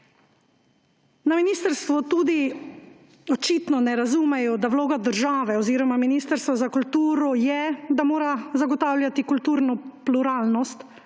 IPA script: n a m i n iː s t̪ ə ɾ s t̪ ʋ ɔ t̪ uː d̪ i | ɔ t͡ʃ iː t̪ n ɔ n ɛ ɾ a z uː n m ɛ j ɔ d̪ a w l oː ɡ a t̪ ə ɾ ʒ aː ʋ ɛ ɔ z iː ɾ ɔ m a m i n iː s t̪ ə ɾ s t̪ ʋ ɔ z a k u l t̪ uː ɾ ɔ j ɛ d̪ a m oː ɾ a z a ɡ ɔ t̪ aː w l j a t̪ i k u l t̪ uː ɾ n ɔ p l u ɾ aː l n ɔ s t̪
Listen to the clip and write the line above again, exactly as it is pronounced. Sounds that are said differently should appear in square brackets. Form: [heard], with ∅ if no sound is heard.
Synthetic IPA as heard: n a m i n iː s t̪ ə ɾ s t̪ ʋ ɔ t̪ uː d̪ i | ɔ t͡ʃ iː t̪ n ɔ n ɛ ɾ a z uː [∅] m ɛ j ɔ d̪ a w l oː ɡ a [d̪] ə ɾ ʒ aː ʋ ɛ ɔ z iː ɾ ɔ m a m i n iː s t̪ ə ɾ s t̪ ʋ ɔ z a k u l t̪ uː ɾ ɔ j ɛ d̪ a m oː ɾ a z a ɡ ɔ t̪ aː w l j a t̪ i k u l t̪ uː ɾ n ɔ p l u ɾ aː l n ɔ s t̪